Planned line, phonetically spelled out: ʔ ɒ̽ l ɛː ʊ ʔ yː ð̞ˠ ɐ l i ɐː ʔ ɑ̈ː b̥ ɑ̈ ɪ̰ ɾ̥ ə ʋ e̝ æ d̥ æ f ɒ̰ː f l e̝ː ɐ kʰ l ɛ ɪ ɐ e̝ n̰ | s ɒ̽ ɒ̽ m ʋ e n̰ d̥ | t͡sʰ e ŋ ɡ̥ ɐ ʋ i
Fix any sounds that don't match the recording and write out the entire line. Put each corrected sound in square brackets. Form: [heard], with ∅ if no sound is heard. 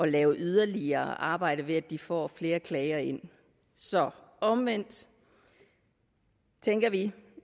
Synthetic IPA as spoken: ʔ ɒ̽ l ɛː ʊ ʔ [y] ð̞ˠ ɐ l i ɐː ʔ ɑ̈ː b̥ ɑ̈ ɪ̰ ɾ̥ ə ʋ e̝ æ d̥ [i] f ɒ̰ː f l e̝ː ɐ kʰ l ɛ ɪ ɐ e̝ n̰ | s ɒ̽ ɒ̽ m ʋ e n̰ d̥ | t͡sʰ e ŋ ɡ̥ ɐ ʋ i